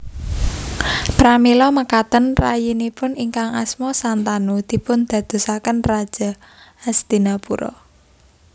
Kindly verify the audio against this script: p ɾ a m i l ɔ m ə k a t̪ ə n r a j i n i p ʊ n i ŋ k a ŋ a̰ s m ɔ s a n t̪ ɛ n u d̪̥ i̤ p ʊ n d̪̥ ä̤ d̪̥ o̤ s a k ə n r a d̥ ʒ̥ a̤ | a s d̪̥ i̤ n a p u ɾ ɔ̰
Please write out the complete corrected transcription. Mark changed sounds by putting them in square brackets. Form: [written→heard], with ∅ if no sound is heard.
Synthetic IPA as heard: p ɾ a m i l ɔ m ə k a t̪ ə n r a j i n i p ʊ n i ŋ k a ŋ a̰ s m ɔ s a n t̪ [ɛ→a] n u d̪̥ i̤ p ʊ n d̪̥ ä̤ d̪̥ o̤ s a k ə n r a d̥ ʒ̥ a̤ | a s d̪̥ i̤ n a p u ɾ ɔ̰